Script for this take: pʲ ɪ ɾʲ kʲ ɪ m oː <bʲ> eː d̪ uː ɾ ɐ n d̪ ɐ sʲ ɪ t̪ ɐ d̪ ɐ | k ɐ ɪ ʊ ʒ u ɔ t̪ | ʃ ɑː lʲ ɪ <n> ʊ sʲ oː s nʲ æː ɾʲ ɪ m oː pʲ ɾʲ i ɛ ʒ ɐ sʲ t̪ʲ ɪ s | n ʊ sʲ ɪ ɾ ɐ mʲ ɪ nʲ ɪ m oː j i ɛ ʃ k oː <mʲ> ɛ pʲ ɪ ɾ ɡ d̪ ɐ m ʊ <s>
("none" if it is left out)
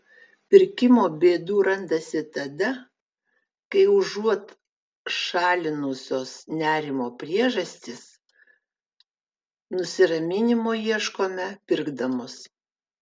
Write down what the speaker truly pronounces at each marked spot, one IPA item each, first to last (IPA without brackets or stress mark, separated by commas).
bʲ, n, mʲ, s